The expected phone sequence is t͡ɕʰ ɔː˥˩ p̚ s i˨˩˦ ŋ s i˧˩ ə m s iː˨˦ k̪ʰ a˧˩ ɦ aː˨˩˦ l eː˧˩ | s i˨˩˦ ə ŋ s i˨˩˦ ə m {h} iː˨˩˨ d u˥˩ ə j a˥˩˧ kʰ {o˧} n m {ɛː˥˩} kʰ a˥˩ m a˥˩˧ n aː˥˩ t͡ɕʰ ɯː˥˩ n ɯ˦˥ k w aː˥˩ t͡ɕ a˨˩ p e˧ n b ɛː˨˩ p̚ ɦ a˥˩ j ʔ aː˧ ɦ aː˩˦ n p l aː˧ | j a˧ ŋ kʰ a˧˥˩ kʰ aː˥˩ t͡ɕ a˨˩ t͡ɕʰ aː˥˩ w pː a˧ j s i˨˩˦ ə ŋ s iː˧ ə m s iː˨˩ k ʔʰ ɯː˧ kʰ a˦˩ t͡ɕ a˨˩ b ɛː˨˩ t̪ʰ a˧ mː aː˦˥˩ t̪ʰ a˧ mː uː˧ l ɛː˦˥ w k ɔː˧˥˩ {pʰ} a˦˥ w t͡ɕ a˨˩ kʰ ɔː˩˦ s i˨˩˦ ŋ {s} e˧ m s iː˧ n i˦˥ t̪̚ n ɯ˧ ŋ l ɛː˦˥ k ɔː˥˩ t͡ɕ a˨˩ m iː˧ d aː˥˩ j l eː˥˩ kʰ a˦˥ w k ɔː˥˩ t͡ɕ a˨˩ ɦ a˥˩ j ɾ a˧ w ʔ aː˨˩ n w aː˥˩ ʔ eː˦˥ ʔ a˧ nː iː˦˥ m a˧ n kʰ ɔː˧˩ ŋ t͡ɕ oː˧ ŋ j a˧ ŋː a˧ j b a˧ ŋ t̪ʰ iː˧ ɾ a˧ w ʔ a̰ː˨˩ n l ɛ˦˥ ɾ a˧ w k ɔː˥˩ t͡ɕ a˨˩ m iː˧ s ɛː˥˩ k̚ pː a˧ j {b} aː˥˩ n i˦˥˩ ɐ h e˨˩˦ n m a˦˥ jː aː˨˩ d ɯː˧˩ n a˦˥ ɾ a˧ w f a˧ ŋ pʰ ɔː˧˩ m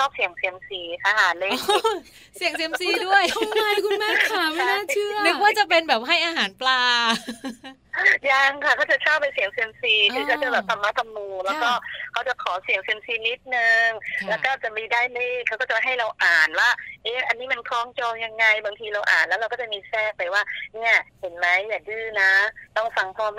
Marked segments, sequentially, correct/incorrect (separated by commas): incorrect, incorrect, incorrect, incorrect, correct, incorrect